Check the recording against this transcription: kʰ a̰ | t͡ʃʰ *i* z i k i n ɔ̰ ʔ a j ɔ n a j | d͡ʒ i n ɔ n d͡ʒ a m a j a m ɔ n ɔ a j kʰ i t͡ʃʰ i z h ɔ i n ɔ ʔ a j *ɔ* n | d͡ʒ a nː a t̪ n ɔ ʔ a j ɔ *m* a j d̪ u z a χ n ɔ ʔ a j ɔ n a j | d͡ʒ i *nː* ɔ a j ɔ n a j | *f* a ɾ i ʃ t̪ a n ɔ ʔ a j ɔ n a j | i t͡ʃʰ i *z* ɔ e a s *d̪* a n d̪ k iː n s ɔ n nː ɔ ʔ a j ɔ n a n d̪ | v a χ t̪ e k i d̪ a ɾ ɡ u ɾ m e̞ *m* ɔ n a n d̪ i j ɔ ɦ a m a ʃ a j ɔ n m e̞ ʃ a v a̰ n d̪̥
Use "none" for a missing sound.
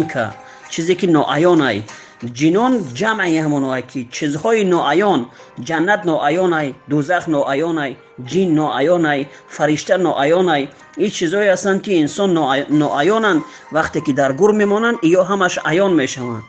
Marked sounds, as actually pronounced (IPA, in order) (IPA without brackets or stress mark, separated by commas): i, ɔ, n, nː, f, z, t̪, m